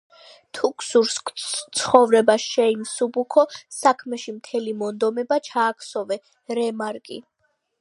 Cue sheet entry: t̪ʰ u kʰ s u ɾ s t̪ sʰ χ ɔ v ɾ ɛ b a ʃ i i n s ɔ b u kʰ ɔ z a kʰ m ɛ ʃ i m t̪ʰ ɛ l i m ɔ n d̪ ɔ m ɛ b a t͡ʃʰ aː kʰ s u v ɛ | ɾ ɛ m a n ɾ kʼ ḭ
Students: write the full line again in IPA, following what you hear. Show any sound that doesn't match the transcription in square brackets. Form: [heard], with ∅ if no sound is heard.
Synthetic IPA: t̪ʰ u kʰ s u ɾ s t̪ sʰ χ ɔ v ɾ ɛ b a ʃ [ɛ] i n s [u] b u kʰ ɔ [s] a kʰ m ɛ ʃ i m t̪ʰ ɛ l i m ɔ n d̪ ɔ m ɛ b a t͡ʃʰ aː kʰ s [ɔ] v ɛ | ɾ ɛ m a [∅] ɾ kʼ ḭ

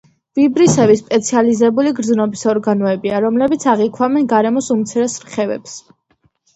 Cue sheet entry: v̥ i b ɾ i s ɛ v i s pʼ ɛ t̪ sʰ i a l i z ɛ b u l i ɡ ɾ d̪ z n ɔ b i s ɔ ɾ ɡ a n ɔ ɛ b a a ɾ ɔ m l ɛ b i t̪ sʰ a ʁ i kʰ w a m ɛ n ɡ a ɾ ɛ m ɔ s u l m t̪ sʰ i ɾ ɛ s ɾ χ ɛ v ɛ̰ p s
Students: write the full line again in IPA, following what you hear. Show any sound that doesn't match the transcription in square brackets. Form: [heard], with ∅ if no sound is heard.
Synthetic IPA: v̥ i b ɾ i s ɛ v i s pʼ ɛ t̪ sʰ i a l i z ɛ b u l i ɡ ɾ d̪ z n ɔ b i s ɔ ɾ ɡ a n ɔ ɛ b [i] a ɾ ɔ m l ɛ b i t̪ sʰ a ʁ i kʰ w a m ɛ n ɡ a ɾ ɛ m ɔ s u [∅] m t̪ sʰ i ɾ ɛ s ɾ χ ɛ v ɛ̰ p s

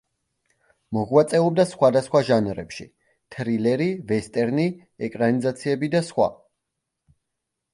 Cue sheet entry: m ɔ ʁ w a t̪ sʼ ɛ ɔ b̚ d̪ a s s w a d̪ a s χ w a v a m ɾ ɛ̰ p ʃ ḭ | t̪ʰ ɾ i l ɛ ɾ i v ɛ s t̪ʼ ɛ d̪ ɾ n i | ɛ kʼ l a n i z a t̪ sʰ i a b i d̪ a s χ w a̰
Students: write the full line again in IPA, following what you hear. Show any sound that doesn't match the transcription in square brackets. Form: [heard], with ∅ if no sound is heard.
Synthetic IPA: m ɔ ʁ w a t̪ sʼ ɛ ɔ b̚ d̪ a s [χ] w a d̪ a s χ w a [ʒ] a [n] ɾ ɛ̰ p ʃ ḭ | t̪ʰ ɾ i l ɛ ɾ i v ɛ s t̪ʼ ɛ [∅] ɾ n i | ɛ kʼ [ɾ] a n i z a t̪ sʰ i [ɛ] b i d̪ a s χ w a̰

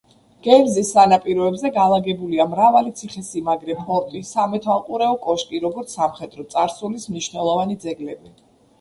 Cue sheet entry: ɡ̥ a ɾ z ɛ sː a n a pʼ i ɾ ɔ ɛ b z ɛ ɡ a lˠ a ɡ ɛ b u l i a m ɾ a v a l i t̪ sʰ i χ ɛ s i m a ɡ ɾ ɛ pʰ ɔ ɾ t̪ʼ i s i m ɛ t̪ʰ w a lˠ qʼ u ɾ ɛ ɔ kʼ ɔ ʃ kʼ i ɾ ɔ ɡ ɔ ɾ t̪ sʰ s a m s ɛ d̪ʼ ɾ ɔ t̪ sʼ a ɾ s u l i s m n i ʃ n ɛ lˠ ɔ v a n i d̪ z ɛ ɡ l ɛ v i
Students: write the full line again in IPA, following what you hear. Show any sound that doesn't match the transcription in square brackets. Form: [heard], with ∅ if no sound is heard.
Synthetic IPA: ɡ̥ [ɛ] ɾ z [i] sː a n a pʼ i ɾ ɔ ɛ b z ɛ ɡ a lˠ a ɡ ɛ b u l i a m ɾ a v a l i t̪ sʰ i χ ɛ s i m a ɡ ɾ ɛ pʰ ɔ ɾ t̪ʼ i s [a] m ɛ t̪ʰ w a lˠ qʼ u ɾ ɛ ɔ kʼ ɔ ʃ kʼ i ɾ ɔ ɡ ɔ ɾ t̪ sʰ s a m [χ] ɛ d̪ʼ ɾ ɔ t̪ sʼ a ɾ s u l i s m n i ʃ n ɛ lˠ ɔ v a n i d̪ z ɛ ɡ l ɛ [b] i

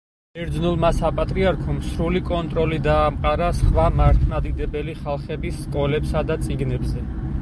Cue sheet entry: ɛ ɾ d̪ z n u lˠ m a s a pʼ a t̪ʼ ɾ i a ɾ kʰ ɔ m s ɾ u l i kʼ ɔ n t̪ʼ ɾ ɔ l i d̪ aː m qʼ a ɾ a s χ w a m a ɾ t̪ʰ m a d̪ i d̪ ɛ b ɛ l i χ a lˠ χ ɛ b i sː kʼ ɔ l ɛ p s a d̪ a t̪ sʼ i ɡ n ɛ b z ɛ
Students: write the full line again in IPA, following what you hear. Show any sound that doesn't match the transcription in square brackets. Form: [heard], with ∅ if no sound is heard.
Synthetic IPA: ɛ ɾ d̪ z n u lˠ m a s a pʼ a t̪ʼ ɾ i a ɾ kʰ ɔ m s ɾ u l i kʼ ɔ n t̪ʼ ɾ ɔ l i d̪ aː m qʼ a ɾ a s χ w a m a ɾ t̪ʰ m a d̪ i d̪ ɛ b ɛ l i χ a lˠ χ ɛ b i sː kʼ ɔ l ɛ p s a d̪ a t̪ sʼ i ɡ n ɛ b z ɛ

